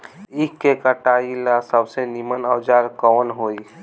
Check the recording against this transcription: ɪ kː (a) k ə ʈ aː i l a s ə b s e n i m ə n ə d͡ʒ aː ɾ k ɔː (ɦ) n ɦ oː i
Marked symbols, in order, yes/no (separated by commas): no, no